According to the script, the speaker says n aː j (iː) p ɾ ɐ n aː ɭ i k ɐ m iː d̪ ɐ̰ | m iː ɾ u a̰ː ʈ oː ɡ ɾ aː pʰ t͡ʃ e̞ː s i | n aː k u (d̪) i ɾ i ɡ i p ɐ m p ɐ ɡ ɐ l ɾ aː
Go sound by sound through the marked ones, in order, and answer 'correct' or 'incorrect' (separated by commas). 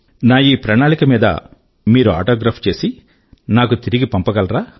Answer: correct, incorrect